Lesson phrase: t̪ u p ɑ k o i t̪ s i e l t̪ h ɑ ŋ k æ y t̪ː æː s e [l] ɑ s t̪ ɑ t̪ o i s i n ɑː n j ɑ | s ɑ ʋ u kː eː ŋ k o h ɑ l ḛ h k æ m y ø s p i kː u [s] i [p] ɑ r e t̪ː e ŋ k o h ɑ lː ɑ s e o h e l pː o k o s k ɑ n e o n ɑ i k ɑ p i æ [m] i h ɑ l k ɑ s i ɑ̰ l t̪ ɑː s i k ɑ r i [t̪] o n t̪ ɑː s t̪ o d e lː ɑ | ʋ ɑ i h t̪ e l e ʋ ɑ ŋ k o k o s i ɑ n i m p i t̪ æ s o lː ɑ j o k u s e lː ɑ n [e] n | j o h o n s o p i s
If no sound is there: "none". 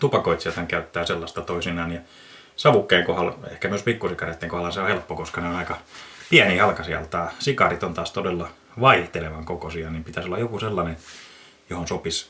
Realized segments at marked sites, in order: lː, s, k, n, t̪, e

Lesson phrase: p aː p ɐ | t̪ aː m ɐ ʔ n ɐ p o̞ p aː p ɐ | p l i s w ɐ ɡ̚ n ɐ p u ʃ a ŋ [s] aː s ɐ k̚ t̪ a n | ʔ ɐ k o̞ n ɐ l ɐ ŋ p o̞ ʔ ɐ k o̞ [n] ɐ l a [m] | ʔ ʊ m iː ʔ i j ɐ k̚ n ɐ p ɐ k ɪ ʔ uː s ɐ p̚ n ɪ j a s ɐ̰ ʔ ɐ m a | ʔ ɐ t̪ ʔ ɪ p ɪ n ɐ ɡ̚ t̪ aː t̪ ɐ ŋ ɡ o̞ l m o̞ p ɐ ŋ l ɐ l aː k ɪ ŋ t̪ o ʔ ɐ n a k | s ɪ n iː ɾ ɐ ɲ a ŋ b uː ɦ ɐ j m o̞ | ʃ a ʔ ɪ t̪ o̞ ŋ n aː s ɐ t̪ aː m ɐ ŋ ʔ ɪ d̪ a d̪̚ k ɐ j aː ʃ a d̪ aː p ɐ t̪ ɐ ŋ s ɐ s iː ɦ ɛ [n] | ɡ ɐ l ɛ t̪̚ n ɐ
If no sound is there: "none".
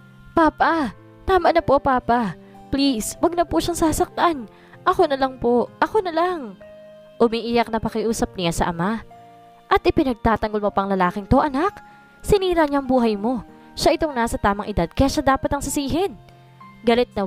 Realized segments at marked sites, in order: s, n, ŋ, n

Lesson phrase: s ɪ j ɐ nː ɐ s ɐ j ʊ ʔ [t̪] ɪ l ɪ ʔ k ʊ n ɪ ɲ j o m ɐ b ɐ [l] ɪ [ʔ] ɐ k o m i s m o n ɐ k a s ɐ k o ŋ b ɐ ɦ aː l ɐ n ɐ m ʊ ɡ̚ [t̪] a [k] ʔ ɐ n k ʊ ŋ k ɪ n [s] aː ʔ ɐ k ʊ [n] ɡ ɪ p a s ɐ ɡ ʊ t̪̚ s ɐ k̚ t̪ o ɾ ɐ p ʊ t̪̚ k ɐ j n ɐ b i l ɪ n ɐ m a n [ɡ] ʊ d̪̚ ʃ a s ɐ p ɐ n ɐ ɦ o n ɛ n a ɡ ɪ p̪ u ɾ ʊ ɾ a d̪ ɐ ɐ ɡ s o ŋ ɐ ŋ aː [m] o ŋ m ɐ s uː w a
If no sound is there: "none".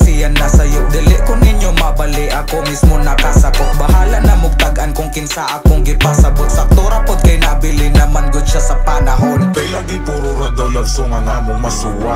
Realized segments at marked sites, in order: d̪, l, ʔ, t̪, ɡ, s, ŋ, ɡ, m

